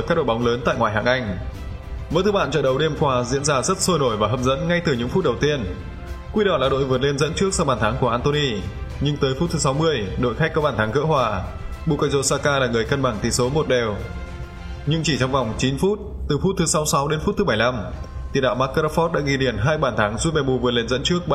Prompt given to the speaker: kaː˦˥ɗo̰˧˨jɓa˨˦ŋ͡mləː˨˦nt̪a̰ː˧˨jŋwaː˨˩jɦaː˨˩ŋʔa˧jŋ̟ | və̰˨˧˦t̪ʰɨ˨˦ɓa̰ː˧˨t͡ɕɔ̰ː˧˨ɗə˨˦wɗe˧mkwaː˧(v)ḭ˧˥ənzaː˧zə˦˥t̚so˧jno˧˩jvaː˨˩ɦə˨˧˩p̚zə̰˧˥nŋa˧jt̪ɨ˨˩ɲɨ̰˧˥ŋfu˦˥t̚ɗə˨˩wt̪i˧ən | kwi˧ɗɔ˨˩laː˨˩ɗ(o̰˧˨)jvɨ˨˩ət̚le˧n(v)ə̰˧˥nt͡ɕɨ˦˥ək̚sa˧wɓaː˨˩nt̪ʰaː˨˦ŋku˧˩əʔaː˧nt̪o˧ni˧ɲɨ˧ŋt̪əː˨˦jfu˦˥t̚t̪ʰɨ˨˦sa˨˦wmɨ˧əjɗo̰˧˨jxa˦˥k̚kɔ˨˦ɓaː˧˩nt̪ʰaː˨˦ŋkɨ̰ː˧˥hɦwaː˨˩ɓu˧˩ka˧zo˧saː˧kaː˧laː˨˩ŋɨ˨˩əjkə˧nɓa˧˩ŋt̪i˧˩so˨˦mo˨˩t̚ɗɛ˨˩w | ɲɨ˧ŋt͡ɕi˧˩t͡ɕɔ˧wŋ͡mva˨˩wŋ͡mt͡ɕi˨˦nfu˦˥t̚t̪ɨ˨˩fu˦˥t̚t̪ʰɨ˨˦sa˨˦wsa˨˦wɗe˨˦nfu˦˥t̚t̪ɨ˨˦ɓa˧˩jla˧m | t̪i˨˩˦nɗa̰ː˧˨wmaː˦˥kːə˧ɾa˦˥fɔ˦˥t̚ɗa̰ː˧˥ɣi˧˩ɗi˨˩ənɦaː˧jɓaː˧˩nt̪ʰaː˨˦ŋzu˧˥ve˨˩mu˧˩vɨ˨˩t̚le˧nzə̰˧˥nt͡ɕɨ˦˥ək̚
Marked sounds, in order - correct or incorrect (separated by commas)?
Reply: incorrect, correct, incorrect